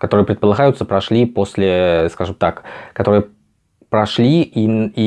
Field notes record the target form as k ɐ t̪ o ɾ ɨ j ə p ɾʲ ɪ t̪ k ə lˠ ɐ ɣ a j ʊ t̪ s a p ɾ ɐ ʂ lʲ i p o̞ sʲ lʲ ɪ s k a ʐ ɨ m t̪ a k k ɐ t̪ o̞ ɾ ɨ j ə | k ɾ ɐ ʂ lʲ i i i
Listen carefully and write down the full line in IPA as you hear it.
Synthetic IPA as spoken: k ɐ t̪ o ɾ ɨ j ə p ɾʲ ɪ t̪ p ə lˠ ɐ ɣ a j ʊ t̪ s ə p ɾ ɐ ʂ lʲ i p o̞ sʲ lʲ ɪ s k a ʐ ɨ m t̪ a k k ɐ t̪ o̞ ɾ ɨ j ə | p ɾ ɐ ʂ lʲ i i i